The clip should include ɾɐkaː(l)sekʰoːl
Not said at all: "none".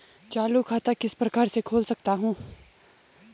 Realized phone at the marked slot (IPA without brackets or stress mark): ɾ